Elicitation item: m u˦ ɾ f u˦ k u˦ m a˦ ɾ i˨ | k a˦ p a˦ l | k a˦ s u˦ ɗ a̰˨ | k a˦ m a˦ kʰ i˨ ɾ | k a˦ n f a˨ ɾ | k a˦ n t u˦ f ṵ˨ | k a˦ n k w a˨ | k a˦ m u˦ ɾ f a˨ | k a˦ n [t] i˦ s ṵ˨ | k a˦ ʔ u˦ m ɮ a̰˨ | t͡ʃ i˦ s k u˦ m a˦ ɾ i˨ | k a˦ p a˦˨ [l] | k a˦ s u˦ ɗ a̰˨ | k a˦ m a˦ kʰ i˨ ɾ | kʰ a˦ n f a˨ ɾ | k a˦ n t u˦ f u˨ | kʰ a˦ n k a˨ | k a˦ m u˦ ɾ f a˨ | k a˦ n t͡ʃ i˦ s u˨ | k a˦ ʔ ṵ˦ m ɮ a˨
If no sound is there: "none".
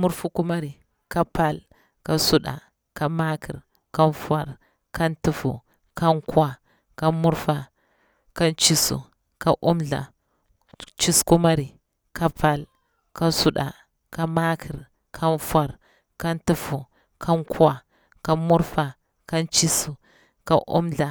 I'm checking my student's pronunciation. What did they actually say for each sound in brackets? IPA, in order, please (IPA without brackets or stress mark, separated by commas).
t͡ʃ, l